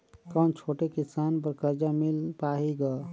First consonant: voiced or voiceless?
voiceless